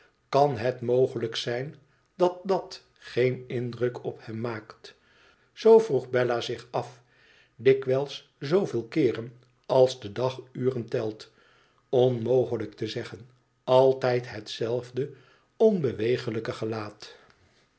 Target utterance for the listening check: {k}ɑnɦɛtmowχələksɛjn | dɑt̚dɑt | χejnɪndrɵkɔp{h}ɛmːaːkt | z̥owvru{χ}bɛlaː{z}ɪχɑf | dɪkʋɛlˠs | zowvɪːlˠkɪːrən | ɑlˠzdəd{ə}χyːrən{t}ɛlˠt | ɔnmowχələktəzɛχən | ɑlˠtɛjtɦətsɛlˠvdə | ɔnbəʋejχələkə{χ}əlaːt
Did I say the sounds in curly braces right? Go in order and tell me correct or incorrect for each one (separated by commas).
correct, correct, correct, correct, incorrect, correct, correct